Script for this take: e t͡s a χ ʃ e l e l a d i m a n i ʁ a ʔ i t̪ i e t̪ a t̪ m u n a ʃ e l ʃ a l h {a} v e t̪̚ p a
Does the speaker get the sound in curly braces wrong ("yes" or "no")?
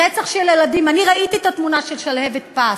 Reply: yes